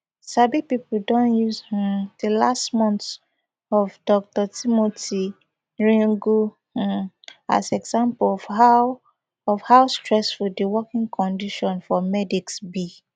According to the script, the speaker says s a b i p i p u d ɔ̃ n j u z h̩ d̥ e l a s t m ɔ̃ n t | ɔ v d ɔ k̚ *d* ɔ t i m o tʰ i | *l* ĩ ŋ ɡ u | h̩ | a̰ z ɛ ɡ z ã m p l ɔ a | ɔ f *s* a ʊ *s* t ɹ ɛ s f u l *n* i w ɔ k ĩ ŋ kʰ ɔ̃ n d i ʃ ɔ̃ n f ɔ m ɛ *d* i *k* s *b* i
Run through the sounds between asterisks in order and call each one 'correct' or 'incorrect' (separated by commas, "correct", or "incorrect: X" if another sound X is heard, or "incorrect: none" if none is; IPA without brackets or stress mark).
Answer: incorrect: t, incorrect: ɹ, incorrect: h, correct, incorrect: d, correct, correct, correct